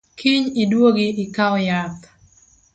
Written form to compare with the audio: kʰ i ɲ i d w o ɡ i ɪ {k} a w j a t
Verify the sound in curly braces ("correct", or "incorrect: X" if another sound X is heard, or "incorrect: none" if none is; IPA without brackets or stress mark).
correct